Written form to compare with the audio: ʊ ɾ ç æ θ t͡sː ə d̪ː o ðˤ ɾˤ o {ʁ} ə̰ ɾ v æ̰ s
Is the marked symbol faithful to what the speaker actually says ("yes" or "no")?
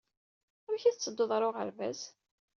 yes